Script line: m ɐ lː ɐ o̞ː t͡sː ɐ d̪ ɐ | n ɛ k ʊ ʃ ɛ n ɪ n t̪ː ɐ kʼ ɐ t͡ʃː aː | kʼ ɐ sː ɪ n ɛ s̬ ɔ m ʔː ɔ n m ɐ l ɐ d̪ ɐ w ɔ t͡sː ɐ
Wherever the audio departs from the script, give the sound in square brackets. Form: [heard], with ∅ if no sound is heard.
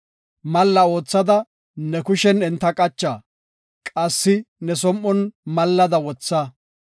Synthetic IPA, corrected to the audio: m ɐ lː ɐ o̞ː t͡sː ɐ d̪ ɐ | n ɛ k ʊ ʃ ɛ n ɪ n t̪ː ɐ kʼ ɐ t͡ʃː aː | kʼ ɐ sː ɪ n ɛ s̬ ɔ m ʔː ɔ n m ɐ [lː] ɐ d̪ ɐ w ɔ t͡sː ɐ